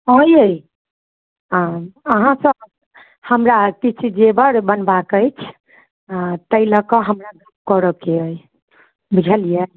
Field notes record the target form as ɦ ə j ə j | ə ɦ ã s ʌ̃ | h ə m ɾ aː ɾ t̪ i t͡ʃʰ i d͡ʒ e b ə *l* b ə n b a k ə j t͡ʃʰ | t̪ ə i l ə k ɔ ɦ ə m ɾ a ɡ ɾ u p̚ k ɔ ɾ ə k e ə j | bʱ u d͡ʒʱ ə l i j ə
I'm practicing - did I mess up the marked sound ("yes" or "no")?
yes